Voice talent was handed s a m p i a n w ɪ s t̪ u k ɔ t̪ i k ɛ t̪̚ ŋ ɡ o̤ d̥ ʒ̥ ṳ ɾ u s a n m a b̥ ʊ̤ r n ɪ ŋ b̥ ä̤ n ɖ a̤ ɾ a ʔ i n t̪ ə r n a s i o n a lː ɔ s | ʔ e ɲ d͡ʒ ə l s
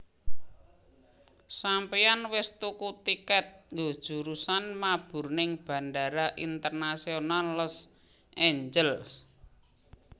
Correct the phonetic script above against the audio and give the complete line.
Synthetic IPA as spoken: s a m p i a n w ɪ s t̪ u k u t̪ i k ɛ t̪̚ ŋ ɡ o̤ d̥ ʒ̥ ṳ ɾ u s a n m a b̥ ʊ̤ r n ɪ ŋ b̥ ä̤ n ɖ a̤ ɾ a ʔ i n t̪ ə r n a s i o n a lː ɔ s | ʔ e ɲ d͡ʒ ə l s